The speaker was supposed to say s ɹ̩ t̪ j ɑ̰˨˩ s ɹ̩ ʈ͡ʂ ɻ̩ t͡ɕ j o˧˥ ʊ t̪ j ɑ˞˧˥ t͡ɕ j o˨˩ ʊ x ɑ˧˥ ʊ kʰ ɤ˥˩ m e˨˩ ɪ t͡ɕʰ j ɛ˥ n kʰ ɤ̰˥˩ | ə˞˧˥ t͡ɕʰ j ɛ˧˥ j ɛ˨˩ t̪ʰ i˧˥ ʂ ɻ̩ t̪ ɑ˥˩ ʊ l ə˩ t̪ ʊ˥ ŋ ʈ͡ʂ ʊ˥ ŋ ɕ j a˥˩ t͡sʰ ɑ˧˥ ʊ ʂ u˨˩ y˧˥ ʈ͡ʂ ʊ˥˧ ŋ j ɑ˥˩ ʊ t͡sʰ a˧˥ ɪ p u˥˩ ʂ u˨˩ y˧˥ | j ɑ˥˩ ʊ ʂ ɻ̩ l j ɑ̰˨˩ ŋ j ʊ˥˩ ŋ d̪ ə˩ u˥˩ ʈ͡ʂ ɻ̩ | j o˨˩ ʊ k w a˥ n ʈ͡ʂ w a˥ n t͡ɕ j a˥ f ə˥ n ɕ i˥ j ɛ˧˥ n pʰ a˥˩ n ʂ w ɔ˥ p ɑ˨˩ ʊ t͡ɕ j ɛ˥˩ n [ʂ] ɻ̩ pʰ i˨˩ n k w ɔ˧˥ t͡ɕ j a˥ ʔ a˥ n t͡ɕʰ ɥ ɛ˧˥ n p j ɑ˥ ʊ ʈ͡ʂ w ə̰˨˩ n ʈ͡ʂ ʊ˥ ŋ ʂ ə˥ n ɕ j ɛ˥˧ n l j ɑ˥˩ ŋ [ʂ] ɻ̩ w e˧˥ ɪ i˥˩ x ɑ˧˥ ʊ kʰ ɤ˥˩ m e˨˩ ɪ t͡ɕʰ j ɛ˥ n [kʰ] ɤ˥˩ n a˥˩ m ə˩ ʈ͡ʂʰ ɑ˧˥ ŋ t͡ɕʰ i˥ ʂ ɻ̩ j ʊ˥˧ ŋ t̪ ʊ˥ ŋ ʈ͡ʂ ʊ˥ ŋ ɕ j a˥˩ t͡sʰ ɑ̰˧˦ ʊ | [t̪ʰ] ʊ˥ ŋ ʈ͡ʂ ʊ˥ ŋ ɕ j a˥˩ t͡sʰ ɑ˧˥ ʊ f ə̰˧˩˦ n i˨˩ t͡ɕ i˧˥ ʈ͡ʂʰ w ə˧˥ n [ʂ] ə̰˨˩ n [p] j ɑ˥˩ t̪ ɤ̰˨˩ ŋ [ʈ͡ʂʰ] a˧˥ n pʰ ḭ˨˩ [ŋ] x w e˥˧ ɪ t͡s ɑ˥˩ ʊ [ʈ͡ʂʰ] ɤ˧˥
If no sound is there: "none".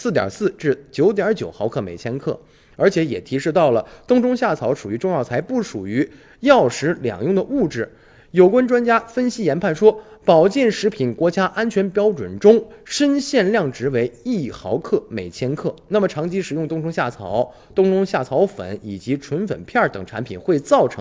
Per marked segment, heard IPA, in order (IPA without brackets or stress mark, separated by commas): ʂ, ʈ͡ʂ, kʰ, t̪, f, pʰ, ʈ͡ʂʰ, n, ʈ͡ʂʰ